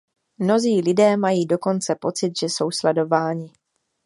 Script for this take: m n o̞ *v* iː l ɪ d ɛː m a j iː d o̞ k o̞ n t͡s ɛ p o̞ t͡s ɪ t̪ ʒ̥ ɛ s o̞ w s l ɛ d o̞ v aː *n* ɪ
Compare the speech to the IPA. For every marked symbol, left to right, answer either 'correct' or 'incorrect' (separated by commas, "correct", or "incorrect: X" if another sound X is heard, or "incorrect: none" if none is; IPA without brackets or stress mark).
incorrect: z, incorrect: ɲ